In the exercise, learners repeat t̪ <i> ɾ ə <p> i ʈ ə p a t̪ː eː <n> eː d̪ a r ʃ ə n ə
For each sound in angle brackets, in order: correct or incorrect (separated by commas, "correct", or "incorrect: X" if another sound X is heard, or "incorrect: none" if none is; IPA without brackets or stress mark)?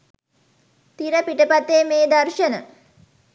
correct, correct, incorrect: m